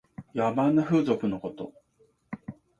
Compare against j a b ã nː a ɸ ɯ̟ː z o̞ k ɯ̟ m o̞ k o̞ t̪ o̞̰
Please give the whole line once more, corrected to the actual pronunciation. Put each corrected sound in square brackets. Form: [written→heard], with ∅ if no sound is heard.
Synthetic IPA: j a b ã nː a ɸ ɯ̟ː z o̞ k ɯ̟ [m→n] o̞ k o̞ t̪ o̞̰